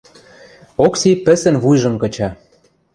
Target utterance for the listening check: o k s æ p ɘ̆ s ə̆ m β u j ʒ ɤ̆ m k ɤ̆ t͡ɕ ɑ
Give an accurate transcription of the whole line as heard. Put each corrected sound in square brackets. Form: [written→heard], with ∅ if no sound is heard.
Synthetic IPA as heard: o k s [æ→i] p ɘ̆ s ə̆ [m→n] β u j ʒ ɤ̆ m k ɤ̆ t͡ɕ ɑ

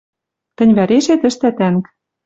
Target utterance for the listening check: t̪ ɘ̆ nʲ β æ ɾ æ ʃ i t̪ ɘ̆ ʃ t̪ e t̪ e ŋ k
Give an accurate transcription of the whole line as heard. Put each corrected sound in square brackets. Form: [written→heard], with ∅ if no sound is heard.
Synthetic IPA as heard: t̪ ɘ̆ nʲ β æ ɾ [æ→e] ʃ [i→e] t̪ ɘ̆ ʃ t̪ [e→æ] t̪ [e→æ] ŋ k

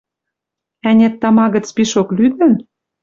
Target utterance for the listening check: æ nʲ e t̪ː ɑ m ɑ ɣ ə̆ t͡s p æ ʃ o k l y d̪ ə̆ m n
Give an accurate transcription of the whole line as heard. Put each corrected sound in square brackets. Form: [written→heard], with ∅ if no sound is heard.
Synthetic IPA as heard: æ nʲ e t̪ː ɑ m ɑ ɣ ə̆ t͡s p [æ→i] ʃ o k l y d̪ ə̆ [m→∅] n

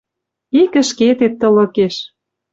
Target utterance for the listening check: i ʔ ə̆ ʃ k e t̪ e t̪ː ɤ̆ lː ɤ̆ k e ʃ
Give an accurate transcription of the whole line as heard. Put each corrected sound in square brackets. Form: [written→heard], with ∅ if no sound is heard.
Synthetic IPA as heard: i [ʔ→k] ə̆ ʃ k e t̪ e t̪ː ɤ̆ [lː→l] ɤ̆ k e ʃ

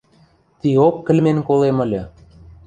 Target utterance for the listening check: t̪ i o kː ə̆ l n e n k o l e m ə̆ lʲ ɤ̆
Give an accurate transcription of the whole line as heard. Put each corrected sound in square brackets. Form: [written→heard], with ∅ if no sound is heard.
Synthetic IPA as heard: t̪ i o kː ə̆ l [n→m] e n k o l e m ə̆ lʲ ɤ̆

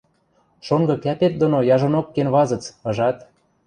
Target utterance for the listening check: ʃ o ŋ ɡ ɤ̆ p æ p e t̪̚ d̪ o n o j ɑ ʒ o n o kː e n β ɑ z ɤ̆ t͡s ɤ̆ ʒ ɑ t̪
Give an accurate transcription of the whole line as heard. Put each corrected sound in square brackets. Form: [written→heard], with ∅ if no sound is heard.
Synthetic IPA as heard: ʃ o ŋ ɡ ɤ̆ [p→k] æ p e t̪̚ d̪ o n o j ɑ ʒ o n o kː e n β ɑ z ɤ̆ t͡s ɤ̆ ʒ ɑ t̪

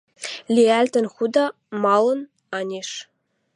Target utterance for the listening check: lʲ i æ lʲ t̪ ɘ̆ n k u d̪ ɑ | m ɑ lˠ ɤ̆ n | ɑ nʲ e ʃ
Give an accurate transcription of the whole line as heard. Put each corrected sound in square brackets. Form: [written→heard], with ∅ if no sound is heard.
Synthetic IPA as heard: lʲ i æ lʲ t̪ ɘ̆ n [k→x] u d̪ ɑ | m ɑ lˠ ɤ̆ n | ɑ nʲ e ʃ

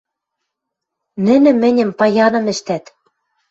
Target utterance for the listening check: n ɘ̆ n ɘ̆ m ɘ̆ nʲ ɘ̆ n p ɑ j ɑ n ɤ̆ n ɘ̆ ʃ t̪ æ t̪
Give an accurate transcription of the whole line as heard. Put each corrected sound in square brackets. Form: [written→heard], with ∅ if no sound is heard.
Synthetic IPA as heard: n ɘ̆ n ɘ̆ m ɘ̆ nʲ ɘ̆ [n→m] p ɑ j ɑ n ɤ̆ [n→m] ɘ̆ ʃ t̪ æ t̪

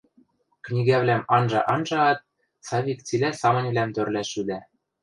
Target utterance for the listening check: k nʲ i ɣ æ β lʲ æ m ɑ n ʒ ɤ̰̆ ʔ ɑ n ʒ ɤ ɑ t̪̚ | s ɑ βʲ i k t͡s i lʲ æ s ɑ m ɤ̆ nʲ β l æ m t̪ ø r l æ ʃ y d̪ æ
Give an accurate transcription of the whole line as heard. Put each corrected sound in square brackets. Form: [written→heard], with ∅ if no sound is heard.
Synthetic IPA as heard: k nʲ i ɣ æ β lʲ æ m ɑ n ʒ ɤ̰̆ ʔ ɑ n ʒ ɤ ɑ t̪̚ | s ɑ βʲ i k t͡s i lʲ æ s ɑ m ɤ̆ nʲ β l æ m t̪ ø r l æ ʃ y d̪ æ

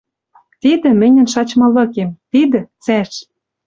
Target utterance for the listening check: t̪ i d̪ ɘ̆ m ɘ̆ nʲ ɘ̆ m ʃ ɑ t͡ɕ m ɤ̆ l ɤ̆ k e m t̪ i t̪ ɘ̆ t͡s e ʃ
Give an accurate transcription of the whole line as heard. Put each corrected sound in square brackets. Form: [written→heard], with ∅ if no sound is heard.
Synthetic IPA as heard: t̪ i d̪ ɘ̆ m ɘ̆ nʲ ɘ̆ [m→n] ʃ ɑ t͡ɕ m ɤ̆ l ɤ̆ k e m t̪ i [t̪→d̪] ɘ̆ t͡s [e→æ] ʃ

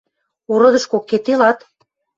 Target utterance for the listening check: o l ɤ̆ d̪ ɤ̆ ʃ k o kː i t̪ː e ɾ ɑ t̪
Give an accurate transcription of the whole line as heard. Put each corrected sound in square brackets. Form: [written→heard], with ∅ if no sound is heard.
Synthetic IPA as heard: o [l→ɾ] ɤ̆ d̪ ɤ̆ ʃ k o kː [i→e] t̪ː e [ɾ→l] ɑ t̪

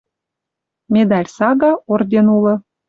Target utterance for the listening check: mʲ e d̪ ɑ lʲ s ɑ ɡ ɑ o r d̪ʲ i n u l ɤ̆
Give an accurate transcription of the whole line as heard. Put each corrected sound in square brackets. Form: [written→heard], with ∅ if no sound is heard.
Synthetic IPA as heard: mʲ e d̪ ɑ lʲ s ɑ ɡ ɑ o r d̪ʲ [i→e] n u l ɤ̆

